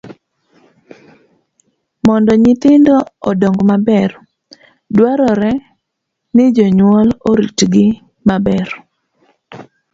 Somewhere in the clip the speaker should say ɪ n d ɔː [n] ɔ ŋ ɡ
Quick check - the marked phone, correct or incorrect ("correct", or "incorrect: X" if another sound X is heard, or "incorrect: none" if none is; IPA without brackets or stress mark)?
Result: incorrect: d